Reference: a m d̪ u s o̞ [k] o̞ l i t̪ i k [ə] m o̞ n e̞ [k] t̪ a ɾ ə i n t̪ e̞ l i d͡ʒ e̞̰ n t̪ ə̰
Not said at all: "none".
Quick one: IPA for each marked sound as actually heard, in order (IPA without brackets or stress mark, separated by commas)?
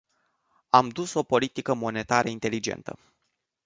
p, ə, none